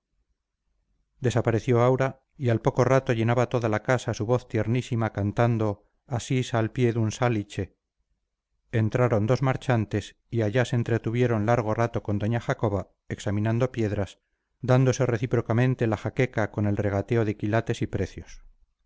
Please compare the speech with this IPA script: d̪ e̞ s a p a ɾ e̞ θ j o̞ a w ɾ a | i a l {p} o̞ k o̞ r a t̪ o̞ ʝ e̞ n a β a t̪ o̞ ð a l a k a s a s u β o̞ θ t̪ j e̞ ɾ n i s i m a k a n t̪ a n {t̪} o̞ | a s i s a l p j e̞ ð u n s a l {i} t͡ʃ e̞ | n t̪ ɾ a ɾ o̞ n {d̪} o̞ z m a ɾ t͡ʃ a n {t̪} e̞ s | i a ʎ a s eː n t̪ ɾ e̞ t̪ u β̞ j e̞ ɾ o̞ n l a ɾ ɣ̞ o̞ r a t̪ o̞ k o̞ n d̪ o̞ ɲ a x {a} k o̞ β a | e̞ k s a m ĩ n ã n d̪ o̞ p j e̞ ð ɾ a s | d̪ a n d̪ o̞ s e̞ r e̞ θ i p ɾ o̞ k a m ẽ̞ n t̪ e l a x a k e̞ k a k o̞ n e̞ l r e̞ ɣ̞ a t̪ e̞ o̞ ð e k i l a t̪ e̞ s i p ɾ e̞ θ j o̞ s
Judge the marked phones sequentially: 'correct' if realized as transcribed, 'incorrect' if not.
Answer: correct, incorrect, correct, correct, correct, correct

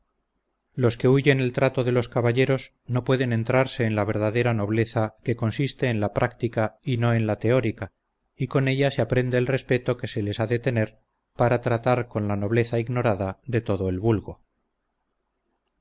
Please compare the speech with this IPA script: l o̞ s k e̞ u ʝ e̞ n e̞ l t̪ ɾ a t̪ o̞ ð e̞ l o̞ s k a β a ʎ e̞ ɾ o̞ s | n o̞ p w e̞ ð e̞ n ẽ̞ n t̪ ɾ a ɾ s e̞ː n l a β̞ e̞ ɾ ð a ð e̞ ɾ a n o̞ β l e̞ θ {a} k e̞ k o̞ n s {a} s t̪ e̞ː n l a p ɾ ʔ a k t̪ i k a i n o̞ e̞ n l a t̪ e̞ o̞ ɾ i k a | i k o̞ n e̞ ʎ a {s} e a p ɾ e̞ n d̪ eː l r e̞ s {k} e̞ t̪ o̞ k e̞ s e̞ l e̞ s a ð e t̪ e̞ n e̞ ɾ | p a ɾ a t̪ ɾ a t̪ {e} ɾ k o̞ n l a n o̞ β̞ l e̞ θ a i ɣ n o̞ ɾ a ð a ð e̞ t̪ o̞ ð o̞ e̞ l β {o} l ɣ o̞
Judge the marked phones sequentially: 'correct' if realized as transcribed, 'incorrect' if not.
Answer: correct, incorrect, correct, incorrect, incorrect, incorrect

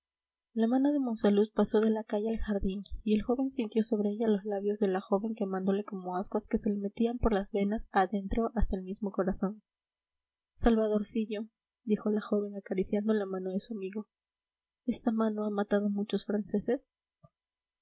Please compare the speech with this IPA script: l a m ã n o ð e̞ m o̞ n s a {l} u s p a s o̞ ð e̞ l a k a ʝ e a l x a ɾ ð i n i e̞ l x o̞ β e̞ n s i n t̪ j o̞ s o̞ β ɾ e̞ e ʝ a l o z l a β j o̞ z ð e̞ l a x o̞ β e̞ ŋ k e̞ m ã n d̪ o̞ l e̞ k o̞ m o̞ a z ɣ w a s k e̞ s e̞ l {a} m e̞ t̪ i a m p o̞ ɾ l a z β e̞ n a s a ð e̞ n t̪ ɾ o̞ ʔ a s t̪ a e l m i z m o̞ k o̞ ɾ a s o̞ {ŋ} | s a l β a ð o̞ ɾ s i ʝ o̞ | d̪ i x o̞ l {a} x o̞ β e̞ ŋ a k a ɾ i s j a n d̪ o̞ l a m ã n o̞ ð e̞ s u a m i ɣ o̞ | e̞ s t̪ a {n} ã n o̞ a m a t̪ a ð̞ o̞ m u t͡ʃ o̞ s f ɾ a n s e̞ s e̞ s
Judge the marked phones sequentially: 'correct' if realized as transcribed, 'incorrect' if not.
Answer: correct, incorrect, incorrect, correct, incorrect

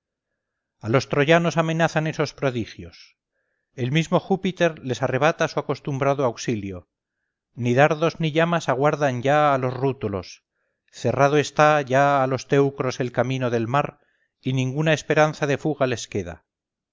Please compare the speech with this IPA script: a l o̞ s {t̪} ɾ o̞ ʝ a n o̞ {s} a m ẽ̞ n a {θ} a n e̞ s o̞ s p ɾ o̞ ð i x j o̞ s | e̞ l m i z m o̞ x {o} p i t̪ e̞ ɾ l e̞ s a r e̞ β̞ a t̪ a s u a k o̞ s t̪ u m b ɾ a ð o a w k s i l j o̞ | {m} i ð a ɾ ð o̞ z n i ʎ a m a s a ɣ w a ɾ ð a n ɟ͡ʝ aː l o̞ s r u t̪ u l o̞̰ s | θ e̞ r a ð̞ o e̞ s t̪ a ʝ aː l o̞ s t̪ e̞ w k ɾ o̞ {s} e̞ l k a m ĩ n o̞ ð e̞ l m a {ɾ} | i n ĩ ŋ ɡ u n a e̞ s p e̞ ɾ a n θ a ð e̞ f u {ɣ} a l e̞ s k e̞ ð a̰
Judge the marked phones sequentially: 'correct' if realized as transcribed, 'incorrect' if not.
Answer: correct, correct, correct, incorrect, incorrect, correct, correct, correct

